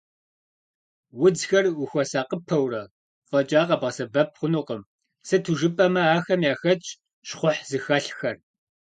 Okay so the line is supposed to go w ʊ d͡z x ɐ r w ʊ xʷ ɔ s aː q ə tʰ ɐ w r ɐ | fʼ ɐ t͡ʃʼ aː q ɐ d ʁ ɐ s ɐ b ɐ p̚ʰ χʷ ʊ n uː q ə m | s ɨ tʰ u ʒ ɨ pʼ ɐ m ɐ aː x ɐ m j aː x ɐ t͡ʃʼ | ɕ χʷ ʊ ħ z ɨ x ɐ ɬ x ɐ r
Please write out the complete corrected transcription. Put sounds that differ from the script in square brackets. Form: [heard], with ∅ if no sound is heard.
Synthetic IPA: w ʊ d͡z x ɐ r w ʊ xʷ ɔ s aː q ə [pʰ] ɐ w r ɐ | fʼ ɐ t͡ʃʼ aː q ɐ [b] ʁ ɐ s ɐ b ɐ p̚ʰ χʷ ʊ n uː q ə m | s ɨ tʰ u ʒ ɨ pʼ ɐ m ɐ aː x ɐ m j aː x ɐ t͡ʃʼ | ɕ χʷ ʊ ħ z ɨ x ɐ ɬ x ɐ r